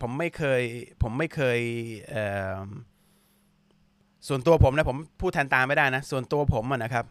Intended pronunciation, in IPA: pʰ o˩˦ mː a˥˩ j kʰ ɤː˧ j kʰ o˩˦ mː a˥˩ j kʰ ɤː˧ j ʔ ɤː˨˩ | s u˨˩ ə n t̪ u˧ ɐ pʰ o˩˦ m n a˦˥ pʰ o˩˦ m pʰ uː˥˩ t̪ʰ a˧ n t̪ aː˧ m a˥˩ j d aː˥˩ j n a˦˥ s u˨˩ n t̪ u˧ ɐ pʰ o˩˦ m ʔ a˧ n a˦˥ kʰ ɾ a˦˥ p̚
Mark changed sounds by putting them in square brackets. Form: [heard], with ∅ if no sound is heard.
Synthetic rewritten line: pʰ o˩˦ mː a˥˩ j kʰ ɤː˧ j [pʰ] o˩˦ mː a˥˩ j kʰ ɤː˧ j ʔ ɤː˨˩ | s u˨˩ ə n t̪ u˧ ɐ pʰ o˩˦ m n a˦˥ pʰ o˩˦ m pʰ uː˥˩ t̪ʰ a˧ n t̪ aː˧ m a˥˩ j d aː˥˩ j n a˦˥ s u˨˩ n t̪ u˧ ɐ pʰ o˩˦ m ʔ [a˨˩] n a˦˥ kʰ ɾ a˦˥ p̚